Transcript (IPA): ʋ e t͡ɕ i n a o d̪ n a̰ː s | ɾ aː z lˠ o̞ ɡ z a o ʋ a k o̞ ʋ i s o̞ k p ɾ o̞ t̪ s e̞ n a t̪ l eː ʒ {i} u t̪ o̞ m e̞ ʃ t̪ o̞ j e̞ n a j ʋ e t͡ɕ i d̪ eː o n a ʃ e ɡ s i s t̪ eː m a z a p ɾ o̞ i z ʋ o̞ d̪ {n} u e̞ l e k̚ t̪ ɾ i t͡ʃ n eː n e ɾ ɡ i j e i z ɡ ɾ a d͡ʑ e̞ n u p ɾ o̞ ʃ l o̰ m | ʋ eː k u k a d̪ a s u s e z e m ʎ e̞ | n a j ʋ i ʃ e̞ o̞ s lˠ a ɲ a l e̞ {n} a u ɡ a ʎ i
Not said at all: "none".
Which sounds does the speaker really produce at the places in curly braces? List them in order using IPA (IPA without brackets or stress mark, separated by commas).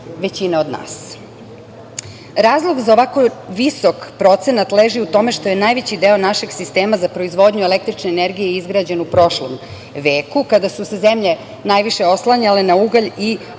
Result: i, ɲ, n